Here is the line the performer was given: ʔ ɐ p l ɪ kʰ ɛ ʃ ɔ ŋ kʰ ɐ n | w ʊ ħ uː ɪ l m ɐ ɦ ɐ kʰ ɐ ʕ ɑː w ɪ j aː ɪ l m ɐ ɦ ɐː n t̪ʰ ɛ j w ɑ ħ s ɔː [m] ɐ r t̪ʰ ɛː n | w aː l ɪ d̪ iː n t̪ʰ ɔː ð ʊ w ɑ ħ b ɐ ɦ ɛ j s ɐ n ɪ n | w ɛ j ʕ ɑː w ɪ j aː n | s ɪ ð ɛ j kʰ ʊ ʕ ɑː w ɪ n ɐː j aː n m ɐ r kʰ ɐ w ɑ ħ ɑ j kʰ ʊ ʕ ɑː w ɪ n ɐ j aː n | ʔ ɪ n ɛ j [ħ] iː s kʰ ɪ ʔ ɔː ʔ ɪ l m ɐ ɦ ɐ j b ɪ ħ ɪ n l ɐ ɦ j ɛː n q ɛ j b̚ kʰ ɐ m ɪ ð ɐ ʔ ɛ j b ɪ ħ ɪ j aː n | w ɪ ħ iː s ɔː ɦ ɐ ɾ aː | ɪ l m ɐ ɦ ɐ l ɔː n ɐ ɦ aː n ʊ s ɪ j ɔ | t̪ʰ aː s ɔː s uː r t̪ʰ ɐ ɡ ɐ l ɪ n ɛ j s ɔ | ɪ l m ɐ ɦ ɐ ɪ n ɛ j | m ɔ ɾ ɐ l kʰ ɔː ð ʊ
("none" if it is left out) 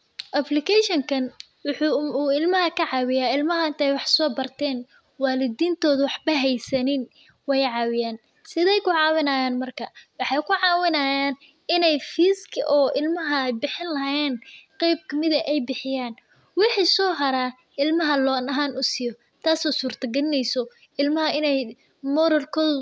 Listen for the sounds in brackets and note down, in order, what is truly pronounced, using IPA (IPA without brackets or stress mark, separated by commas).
b, f